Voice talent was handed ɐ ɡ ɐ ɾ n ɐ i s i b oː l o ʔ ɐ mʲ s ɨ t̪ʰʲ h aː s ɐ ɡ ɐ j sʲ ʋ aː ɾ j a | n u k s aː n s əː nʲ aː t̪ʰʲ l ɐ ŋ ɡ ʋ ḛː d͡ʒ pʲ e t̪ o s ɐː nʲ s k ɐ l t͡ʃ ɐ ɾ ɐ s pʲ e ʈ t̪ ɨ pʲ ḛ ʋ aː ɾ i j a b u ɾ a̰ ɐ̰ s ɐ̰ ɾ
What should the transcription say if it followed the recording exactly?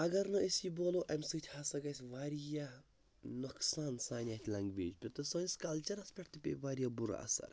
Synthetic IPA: ɐ ɡ ɐ ɾ n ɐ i s i b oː l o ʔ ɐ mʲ s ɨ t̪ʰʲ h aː s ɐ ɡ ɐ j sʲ ʋ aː ɾ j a | n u k s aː n s aː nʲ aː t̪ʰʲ l ɐ ŋ ɡ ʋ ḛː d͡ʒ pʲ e t̪ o s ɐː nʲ s k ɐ l t͡ʃ ɐ ɾ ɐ s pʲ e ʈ t̪ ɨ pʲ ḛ ʋ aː ɾ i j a b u ɾ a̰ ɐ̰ s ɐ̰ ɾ

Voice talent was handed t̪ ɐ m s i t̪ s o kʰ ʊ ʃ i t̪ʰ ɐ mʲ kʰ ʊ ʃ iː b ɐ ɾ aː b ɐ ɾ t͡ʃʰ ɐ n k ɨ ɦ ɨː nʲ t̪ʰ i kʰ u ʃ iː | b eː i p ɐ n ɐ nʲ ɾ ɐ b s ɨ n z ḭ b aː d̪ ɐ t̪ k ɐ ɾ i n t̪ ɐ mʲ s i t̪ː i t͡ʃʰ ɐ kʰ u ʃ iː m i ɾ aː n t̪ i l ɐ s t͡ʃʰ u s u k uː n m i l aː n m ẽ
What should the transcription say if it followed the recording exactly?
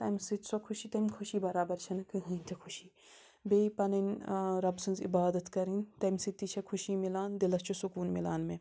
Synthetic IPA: t̪ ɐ m s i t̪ s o kʰ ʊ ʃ i t̪ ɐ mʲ kʰ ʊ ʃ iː b ɐ ɾ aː b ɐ ɾ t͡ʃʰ ɐ n k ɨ ɦ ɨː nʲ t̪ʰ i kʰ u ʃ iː | b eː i p ɐ n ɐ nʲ ɾ ɐ b s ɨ n z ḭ b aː d̪ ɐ t̪ k ɐ ɾ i n t̪ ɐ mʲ s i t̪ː i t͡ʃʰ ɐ kʰ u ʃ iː m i l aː n d̪ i l ɐ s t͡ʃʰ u s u k uː n m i l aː n m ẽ

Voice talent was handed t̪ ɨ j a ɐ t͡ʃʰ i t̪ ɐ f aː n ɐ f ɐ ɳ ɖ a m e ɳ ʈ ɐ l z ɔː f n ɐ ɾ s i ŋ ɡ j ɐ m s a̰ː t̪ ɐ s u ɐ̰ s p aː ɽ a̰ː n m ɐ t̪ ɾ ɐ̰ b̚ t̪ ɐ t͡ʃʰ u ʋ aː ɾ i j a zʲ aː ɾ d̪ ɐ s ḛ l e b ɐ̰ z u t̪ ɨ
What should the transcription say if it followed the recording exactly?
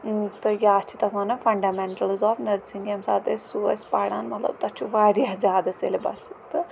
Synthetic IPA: t̪ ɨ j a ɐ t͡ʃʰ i t̪ ɐ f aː n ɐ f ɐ ɳ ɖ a m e ɳ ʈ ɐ l z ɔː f n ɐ ɾ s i ŋ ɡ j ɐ m s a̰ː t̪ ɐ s u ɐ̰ s p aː ɽ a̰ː n m ɐ t̪ l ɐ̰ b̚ t̪ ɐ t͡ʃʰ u ʋ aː ɾ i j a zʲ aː d̪ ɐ s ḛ l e b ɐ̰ s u t̪ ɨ

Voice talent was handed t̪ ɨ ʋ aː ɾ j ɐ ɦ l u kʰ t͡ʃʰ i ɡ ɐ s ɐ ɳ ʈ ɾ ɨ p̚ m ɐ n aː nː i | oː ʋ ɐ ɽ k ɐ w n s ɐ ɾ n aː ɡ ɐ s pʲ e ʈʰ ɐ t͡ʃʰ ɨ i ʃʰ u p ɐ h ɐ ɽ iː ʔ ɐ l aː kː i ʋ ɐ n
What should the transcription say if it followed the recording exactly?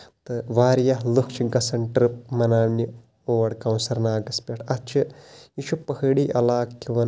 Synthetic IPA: t̪ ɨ ʋ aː ɾ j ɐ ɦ l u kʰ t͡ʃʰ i ɡ ɐ s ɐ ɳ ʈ ɾ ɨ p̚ m ɐ n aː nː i | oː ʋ ɐ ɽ k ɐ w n s ɐ ɾ n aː ɡ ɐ s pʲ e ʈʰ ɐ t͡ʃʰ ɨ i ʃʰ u p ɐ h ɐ ɽ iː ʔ ɐ l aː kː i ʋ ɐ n

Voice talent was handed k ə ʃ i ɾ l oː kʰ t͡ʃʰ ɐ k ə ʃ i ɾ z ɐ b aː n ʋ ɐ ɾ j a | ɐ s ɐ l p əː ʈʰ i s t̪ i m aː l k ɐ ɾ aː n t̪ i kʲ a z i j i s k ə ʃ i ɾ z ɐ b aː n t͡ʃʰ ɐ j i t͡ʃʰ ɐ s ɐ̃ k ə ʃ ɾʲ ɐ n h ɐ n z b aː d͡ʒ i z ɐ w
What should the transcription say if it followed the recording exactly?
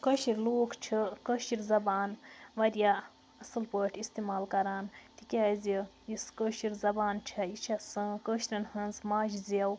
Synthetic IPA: k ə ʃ i ɾ l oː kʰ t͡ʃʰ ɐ k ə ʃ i ɾ z ɐ b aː n ʋ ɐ ɾ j a | ɐ s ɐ l p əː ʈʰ i s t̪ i m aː l k ɐ ɾ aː n t̪ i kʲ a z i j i s k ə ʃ i ɾ z ɐ b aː n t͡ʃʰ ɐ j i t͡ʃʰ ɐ s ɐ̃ k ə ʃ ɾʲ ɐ n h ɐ n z m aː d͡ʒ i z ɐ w

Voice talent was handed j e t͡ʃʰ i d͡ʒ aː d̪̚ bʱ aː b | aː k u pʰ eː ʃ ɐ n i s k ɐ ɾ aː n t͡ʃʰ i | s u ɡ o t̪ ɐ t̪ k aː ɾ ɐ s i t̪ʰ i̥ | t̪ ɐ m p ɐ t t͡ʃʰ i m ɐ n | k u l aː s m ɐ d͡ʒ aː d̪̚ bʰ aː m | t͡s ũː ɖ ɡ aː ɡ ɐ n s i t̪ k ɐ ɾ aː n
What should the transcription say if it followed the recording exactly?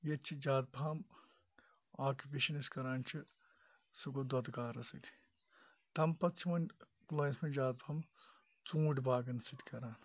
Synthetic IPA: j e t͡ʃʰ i d͡ʒ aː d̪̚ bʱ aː m | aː k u p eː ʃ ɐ n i s k ɐ ɾ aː n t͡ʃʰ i | s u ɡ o d̪ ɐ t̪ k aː ɾ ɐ s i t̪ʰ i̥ | t̪ ɐ m p ɐ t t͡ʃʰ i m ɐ n | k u l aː s m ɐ d͡ʒ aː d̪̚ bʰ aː m | t͡s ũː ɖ b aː ɡ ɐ n s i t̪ k ɐ ɾ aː n

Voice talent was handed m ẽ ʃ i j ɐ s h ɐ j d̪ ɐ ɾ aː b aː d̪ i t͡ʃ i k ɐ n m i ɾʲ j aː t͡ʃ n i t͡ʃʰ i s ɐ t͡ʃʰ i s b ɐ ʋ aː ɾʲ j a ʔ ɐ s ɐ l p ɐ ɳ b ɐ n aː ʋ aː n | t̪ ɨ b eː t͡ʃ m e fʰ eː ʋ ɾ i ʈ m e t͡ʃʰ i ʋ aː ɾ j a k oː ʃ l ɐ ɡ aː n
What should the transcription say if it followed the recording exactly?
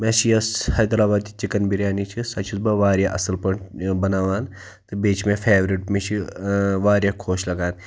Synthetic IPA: m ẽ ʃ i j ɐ s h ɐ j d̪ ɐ ɾ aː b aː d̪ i t͡ʃ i k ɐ n b i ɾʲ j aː n i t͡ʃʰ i s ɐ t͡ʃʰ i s b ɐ ʋ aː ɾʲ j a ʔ ɐ s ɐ l p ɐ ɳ b ɐ n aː ʋ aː n | t̪ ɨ b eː t͡ʃ m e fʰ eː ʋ ɾ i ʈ m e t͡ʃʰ i ʋ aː ɾ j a kʰ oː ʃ l ɐ ɡ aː n

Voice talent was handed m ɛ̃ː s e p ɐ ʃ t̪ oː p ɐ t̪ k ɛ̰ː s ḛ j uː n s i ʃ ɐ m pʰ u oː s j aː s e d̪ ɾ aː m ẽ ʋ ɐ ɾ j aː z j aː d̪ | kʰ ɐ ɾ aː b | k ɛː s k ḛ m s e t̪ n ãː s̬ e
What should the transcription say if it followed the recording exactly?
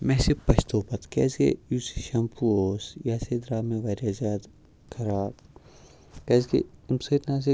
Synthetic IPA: m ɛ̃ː s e p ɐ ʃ t̪ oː p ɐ t̪ k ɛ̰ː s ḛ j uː s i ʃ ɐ m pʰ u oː s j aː s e d̪ ɾ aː m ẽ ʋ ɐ ɾ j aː z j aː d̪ | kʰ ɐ ɾ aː b | k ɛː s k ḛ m s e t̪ n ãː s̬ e

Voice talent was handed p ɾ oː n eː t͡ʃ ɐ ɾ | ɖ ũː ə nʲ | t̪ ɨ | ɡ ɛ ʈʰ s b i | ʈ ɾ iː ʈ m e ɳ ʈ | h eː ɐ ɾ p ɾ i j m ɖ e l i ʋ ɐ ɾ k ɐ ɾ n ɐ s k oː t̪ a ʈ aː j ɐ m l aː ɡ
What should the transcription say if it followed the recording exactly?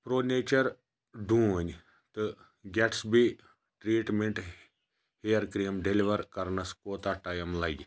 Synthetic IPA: p ɾ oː n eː t͡ʃ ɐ ɾ | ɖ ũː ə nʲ | t̪ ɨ | ɡ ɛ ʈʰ s b i | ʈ ɾ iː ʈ m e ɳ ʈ | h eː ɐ ɾ k ɾ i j m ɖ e l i ʋ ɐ ɾ k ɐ ɾ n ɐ s k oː t̪ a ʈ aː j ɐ m l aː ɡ

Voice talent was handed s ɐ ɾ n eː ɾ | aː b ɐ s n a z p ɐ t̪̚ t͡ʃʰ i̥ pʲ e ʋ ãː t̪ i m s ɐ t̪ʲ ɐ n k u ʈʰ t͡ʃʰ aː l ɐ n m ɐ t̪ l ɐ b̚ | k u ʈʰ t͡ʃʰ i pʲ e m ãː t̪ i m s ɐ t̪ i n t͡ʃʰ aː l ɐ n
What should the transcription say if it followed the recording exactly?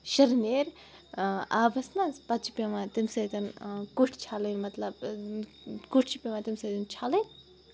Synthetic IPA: ʃ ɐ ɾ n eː ɾ | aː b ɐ s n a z p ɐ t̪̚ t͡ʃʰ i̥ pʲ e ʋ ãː t̪ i m s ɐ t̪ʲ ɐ n k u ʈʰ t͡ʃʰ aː l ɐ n m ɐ t̪ l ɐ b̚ | k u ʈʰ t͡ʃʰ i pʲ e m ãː t̪ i m s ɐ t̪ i n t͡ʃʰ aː l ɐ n

